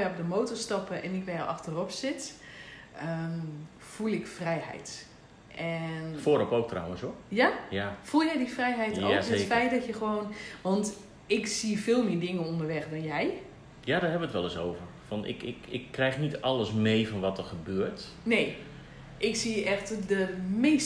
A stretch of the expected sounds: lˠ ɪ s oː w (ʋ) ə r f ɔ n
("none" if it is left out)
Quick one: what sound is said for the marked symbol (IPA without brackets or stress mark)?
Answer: v